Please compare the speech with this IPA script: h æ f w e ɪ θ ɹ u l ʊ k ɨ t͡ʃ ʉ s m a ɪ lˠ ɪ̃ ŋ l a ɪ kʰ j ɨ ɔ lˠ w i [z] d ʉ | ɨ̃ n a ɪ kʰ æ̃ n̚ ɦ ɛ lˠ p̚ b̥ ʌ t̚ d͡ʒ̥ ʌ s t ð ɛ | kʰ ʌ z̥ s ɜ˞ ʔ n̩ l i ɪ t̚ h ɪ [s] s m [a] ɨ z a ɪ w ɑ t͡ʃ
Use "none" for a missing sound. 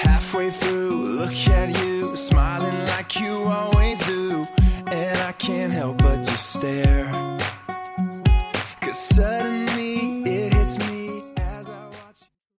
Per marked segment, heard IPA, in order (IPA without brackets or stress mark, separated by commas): z, t, i